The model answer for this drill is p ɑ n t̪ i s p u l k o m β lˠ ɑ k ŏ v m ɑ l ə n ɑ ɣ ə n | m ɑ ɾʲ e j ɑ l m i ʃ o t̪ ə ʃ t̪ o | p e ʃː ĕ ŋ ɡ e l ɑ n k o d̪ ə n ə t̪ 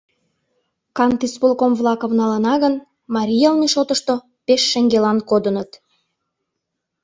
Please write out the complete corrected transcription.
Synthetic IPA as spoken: k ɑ n t̪ i s p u l k o m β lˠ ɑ k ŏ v n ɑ l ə n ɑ ɣ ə n | m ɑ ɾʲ i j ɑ l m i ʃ o t̪ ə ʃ t̪ o | p e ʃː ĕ ŋ ɡ e l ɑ n k o d̪ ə n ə t̪